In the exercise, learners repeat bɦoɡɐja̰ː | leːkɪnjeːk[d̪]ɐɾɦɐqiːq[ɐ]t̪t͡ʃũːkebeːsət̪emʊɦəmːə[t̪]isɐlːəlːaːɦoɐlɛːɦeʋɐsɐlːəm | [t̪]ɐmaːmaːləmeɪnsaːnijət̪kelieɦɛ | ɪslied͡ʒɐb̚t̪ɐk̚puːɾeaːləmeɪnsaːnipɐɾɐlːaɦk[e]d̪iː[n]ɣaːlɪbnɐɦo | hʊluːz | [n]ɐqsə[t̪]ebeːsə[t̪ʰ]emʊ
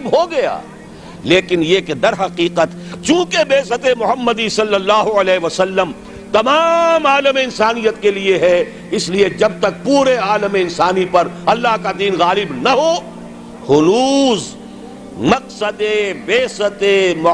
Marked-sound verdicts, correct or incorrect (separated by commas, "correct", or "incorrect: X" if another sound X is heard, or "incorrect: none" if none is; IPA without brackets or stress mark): correct, incorrect: ə, incorrect: d̪, correct, incorrect: a, correct, incorrect: m, incorrect: d̪, incorrect: t̪